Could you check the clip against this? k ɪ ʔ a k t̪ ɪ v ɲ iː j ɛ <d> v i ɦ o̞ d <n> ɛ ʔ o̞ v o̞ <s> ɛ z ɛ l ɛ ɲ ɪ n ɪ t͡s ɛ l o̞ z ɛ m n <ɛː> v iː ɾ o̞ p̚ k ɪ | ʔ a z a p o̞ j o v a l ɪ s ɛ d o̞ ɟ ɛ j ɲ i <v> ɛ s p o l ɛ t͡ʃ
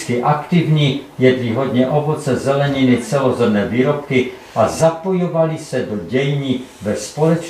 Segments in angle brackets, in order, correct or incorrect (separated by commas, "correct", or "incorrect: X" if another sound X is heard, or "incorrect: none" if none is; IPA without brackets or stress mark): correct, incorrect: ɲ, incorrect: t͡s, correct, correct